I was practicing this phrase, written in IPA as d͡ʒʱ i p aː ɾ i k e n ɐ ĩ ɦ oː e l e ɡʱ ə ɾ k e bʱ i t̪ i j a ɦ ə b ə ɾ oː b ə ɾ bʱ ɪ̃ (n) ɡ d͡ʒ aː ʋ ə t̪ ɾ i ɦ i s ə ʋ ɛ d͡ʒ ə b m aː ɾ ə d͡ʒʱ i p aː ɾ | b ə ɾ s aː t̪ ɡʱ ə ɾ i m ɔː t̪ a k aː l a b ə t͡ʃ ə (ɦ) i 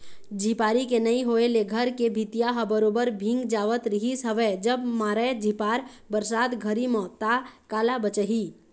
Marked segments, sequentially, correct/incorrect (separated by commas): incorrect, correct